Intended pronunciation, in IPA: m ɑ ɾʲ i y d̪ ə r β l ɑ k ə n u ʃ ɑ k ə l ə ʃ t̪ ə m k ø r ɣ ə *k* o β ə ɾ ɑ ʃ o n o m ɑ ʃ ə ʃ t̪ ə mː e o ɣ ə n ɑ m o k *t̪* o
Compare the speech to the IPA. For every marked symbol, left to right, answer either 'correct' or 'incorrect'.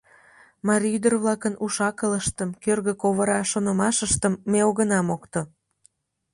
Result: correct, correct

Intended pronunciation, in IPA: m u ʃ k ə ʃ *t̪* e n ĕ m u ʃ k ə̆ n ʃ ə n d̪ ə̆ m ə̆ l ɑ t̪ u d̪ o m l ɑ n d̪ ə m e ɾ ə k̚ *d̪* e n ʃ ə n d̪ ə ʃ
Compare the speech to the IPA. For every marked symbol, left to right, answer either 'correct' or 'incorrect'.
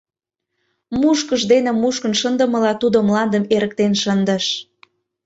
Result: incorrect, incorrect

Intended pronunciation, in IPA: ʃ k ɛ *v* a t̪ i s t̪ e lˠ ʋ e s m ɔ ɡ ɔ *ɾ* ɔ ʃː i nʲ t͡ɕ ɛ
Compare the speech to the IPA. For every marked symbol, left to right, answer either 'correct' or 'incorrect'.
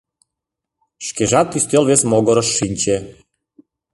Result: incorrect, correct

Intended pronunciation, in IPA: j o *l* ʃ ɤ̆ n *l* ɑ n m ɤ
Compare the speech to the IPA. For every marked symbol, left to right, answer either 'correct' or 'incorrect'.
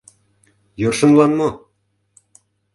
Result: incorrect, correct

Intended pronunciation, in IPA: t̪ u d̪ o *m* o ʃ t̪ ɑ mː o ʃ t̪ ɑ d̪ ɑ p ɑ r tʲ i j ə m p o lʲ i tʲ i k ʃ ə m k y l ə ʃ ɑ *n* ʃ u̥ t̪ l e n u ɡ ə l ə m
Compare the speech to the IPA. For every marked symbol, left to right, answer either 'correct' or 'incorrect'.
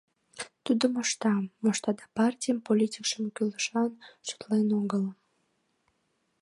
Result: correct, correct

